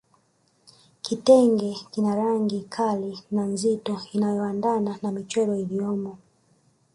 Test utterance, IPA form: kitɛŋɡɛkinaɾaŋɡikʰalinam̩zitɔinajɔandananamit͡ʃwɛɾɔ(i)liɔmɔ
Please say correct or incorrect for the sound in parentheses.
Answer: correct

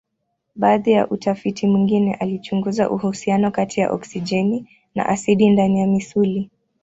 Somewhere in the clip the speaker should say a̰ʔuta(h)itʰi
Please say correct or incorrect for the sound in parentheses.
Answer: incorrect: f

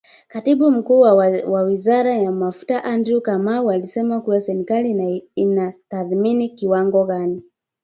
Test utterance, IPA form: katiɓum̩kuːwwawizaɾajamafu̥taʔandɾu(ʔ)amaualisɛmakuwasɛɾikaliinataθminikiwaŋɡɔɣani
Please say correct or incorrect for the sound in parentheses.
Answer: incorrect: k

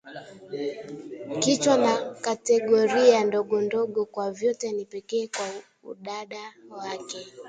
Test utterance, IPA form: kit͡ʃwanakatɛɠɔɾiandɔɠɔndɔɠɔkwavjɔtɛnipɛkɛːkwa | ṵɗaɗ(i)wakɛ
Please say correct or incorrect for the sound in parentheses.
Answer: incorrect: a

